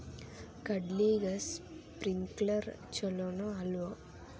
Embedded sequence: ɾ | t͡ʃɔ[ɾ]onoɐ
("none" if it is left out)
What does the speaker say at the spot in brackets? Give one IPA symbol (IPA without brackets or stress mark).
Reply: l